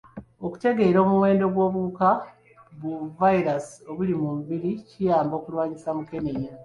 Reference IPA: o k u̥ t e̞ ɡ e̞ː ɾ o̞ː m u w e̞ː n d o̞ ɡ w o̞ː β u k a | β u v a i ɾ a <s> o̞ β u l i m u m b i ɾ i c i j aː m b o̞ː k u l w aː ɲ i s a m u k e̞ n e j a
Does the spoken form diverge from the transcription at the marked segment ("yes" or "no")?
no